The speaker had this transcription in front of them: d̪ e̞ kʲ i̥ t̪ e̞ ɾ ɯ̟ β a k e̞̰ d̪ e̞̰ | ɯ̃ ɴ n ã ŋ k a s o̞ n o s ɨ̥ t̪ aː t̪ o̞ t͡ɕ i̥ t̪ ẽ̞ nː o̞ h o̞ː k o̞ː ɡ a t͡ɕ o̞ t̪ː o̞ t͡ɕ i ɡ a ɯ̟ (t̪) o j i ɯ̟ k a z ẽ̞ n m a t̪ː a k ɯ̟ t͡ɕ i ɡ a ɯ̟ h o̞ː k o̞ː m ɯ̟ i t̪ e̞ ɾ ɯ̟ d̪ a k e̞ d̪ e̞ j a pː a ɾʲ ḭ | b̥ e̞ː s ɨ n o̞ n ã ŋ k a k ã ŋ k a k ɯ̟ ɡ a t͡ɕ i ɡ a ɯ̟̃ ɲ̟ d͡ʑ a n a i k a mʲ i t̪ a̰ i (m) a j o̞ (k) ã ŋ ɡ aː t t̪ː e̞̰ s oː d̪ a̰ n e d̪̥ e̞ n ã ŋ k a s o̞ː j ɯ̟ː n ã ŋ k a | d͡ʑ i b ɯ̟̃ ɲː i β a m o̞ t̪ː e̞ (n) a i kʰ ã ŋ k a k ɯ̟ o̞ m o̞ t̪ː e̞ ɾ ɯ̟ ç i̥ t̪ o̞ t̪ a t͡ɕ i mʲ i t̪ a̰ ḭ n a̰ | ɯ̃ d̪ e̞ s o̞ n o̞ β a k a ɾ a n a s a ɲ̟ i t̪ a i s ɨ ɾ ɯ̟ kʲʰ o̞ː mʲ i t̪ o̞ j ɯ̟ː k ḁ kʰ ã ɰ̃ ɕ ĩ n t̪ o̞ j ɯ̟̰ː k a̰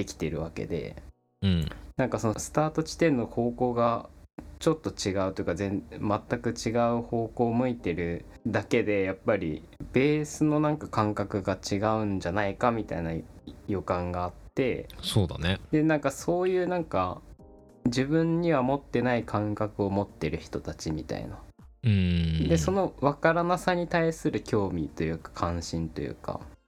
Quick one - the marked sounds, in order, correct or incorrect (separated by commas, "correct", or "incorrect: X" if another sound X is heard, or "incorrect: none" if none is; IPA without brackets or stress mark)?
correct, incorrect: n, correct, correct